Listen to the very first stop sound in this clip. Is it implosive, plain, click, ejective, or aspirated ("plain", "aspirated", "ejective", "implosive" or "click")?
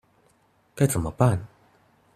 plain